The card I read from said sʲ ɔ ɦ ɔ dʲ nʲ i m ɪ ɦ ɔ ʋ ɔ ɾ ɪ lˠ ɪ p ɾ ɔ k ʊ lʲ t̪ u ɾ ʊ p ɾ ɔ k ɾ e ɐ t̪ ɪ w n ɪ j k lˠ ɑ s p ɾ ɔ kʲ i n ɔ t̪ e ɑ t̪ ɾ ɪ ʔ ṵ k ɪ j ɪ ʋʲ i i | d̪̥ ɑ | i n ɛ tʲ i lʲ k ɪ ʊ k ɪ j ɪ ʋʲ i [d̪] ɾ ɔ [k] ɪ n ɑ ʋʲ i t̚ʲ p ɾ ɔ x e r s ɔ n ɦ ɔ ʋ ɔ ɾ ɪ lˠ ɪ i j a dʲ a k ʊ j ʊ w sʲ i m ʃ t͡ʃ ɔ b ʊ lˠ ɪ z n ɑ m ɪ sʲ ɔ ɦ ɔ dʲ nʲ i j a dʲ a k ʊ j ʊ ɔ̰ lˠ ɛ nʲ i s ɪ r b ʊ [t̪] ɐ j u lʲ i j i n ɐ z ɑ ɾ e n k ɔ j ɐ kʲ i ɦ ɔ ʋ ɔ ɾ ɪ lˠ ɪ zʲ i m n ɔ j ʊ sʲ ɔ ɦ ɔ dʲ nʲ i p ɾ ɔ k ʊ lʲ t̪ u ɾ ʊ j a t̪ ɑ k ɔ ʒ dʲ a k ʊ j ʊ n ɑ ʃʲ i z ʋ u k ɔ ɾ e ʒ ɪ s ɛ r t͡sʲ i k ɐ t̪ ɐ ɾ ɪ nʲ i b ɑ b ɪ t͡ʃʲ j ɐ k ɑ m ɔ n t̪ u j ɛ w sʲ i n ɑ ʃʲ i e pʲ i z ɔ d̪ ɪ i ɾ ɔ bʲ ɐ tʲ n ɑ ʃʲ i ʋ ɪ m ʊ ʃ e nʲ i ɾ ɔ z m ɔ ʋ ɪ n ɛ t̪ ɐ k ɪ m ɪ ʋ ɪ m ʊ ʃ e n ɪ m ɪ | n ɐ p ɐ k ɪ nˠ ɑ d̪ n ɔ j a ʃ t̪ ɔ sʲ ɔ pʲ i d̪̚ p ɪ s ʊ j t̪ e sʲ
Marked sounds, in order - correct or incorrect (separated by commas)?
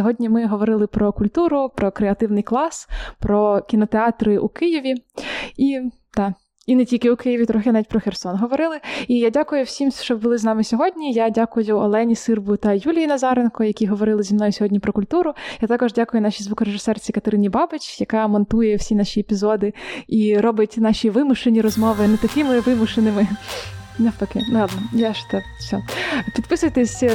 incorrect, incorrect, correct